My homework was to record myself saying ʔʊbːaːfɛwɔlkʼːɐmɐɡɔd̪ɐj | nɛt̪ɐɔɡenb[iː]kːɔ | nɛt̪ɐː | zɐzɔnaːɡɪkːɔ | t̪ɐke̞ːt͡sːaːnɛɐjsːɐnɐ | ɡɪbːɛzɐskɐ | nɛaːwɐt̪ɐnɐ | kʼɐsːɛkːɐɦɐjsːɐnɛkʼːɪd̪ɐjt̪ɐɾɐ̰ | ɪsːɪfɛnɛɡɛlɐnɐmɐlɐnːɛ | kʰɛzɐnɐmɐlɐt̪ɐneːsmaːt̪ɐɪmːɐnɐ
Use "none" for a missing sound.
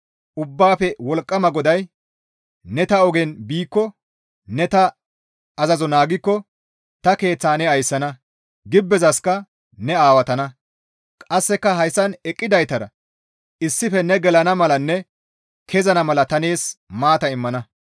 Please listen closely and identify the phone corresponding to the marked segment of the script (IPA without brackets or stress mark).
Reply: iː